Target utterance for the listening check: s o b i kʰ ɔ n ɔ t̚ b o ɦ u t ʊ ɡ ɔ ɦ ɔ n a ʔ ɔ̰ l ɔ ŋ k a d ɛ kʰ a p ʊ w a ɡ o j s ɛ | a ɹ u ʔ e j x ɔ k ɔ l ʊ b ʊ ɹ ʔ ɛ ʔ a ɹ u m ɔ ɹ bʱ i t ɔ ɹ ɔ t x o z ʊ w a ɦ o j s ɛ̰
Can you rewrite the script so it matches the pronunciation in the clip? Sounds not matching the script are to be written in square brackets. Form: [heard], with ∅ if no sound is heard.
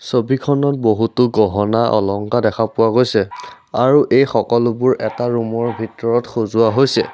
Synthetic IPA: s o b i kʰ ɔ n ɔ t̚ b o ɦ u t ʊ ɡ ɔ ɦ ɔ n a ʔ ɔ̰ l ɔ ŋ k a d ɛ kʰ a p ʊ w a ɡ o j s ɛ | a ɹ u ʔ e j x ɔ k ɔ l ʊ b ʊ ɹ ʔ ɛ [t] a ɹ u m ɔ ɹ bʱ i t ɔ ɹ ɔ t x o z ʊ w a ɦ o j s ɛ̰